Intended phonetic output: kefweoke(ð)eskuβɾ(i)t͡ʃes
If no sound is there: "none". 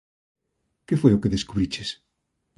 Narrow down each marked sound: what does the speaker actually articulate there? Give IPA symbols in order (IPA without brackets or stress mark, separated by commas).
ð, i